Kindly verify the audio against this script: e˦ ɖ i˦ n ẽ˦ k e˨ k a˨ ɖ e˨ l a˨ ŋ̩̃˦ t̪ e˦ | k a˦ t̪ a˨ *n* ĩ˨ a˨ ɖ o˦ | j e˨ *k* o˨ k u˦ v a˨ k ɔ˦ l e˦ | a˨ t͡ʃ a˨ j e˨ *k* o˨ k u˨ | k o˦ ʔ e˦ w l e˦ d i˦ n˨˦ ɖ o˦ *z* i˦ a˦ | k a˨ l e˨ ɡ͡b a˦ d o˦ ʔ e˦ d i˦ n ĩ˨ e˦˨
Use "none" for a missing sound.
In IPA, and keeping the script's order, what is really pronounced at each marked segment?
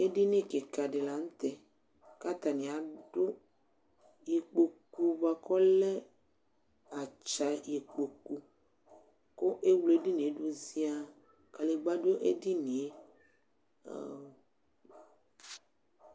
n, k͡p, k͡p, z

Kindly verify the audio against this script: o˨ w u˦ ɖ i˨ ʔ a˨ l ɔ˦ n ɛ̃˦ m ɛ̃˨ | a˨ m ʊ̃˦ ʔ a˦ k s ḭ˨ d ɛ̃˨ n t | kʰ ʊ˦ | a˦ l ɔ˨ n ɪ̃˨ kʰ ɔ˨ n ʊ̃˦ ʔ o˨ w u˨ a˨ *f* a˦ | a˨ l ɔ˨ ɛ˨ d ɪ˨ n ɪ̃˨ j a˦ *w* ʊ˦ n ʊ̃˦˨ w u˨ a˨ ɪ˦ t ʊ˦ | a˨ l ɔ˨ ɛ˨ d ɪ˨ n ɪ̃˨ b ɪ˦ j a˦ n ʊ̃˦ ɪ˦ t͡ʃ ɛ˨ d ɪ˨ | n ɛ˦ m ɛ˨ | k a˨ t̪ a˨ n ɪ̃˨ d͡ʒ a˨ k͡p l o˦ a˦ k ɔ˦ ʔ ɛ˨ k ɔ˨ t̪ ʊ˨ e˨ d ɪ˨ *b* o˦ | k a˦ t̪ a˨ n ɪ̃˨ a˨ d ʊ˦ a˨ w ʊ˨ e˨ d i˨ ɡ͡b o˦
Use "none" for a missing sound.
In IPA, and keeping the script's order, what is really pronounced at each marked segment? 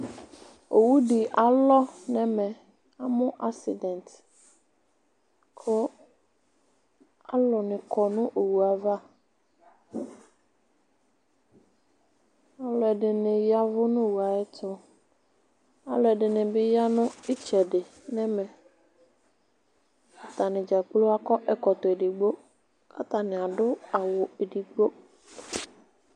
v, v, ɡ͡b

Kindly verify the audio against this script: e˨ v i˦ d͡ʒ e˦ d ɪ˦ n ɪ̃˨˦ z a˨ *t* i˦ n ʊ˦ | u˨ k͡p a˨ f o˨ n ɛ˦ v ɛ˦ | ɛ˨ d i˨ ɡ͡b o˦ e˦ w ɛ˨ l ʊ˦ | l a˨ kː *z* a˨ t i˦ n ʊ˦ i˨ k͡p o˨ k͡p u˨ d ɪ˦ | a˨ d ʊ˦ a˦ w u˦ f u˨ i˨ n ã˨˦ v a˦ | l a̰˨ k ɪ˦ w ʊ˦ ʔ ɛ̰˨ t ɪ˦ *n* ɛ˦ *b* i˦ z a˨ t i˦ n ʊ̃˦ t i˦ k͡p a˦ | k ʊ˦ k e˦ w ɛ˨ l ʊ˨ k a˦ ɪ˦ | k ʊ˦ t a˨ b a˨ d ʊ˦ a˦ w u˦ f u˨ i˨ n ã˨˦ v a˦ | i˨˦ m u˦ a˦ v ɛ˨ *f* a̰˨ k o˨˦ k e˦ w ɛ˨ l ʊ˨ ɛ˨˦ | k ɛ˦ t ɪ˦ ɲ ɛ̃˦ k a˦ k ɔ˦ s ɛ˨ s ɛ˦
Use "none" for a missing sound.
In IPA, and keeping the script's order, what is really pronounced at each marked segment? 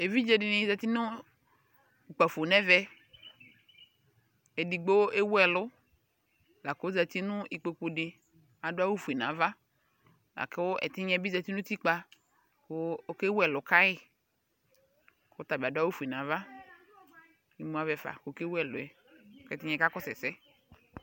t, z, ɲ, b, f

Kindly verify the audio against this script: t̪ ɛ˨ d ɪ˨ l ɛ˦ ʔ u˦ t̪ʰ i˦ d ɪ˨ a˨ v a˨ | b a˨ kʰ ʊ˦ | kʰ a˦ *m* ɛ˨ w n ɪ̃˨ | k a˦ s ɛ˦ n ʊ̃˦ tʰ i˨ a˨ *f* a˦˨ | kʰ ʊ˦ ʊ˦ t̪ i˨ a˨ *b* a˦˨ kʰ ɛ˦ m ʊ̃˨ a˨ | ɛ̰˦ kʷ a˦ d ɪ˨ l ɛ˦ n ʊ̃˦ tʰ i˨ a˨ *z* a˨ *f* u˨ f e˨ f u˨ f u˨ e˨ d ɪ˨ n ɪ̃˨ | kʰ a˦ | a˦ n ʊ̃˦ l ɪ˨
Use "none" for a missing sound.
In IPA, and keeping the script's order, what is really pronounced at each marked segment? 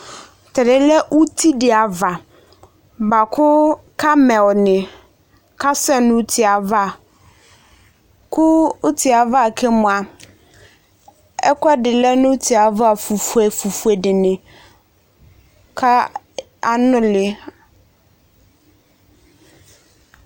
m, v, v, v, f

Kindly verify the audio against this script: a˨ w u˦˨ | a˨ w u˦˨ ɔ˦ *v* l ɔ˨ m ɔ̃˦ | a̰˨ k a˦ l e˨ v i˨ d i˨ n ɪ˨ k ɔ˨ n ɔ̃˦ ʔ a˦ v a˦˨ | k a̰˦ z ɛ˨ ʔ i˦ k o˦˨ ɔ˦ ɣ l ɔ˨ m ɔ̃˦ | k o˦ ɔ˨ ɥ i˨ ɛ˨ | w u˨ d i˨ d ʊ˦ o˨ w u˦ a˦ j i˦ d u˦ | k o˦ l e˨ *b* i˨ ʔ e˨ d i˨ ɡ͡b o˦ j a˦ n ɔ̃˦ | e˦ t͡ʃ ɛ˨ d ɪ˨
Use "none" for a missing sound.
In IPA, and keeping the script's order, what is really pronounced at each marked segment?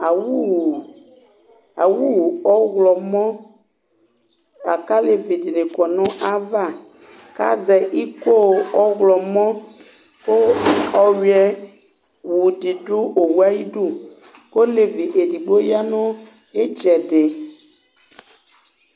ɣ, v

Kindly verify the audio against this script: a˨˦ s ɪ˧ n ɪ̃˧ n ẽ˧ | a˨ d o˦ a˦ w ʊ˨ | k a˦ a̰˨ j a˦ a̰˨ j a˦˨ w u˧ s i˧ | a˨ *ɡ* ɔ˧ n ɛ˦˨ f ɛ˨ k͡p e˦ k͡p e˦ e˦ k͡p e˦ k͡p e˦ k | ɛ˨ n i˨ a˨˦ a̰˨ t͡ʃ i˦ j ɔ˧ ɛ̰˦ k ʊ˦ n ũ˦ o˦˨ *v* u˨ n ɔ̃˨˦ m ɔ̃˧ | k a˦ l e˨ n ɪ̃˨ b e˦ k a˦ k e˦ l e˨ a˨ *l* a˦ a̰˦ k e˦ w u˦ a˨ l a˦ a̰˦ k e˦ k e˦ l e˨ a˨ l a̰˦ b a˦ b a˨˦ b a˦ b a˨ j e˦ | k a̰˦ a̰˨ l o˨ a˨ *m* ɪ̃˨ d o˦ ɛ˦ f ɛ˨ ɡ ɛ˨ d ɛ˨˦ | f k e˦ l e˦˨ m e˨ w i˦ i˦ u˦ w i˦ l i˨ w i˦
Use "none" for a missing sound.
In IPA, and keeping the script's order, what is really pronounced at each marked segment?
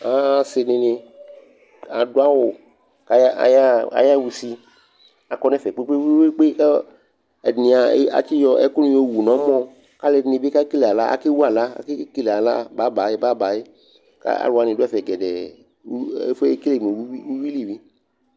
k, w, l, n

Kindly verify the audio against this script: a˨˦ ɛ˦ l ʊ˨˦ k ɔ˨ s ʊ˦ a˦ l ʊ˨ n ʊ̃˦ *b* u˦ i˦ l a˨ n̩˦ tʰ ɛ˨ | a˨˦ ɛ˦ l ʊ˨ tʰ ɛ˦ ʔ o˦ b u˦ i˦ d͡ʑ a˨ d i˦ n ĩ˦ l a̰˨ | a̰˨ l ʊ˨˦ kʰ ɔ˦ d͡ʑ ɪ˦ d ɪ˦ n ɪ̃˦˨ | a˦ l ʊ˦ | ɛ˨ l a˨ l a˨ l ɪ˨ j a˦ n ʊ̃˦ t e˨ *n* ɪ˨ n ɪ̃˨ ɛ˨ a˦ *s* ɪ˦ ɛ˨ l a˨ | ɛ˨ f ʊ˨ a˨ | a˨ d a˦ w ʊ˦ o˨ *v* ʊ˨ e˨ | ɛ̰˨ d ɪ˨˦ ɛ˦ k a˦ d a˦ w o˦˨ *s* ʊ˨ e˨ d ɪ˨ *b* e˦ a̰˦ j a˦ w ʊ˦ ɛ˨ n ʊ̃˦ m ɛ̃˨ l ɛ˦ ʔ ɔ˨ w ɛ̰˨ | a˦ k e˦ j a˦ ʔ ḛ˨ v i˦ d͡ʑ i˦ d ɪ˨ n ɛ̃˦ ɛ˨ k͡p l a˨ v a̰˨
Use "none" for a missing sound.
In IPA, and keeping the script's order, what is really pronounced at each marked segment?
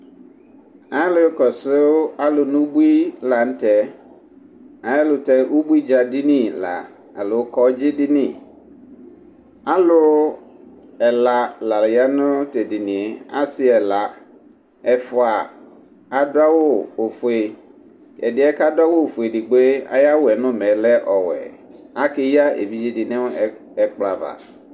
b, d, s, f, f, ɡ͡b

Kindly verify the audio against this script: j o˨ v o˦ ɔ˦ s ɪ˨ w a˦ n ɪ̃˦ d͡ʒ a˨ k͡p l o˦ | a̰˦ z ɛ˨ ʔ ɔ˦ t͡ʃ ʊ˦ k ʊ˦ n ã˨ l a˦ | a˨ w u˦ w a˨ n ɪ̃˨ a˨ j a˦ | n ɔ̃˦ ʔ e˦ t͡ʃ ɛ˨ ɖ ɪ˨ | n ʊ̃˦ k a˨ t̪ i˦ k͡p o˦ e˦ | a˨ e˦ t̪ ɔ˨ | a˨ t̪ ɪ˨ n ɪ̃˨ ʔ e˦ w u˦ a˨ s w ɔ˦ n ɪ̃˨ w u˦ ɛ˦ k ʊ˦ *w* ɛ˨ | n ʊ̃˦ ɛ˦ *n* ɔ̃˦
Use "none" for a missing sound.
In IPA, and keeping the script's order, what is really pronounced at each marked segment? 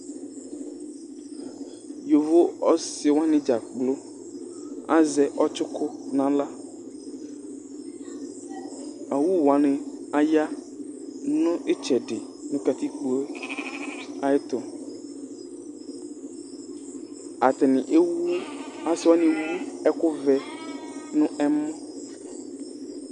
v, m

